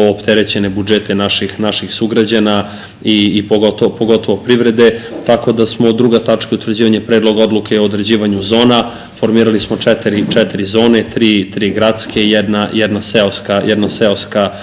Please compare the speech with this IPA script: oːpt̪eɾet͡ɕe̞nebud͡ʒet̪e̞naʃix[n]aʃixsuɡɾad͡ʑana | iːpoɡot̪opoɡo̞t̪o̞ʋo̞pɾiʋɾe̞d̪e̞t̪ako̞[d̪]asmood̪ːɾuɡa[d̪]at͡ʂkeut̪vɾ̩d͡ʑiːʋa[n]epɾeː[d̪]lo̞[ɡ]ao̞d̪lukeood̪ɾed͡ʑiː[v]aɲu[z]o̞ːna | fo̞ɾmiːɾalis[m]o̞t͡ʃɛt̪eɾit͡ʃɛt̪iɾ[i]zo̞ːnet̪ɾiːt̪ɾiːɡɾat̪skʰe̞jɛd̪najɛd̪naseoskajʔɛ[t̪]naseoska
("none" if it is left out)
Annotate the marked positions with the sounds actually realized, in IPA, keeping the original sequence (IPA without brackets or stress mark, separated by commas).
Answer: n, d̪, t̪, ɲ, d̪, ɡ, ʋ, z, m, i, d̪